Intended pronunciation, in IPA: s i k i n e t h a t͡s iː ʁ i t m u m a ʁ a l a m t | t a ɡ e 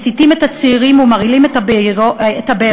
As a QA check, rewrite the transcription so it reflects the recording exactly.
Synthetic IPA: s i t i m e t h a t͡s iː ʁ i m u m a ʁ i l i m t | t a b e